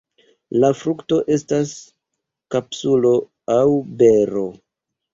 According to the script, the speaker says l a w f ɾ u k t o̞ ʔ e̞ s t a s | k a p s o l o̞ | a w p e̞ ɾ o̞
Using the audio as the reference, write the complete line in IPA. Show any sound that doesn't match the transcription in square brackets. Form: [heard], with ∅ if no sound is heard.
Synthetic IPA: l a [∅] f ɾ u k t o̞ ʔ e̞ s t a s | k a p s [u] l o̞ | a w [b] e̞ ɾ o̞